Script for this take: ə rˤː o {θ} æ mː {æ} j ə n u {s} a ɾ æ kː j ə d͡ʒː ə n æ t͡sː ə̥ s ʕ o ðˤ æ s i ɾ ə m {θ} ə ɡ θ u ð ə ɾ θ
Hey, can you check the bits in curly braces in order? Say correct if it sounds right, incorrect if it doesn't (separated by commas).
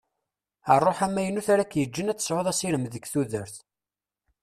incorrect, correct, incorrect, incorrect